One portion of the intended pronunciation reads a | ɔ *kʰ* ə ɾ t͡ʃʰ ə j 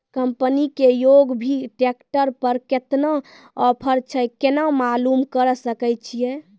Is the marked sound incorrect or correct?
incorrect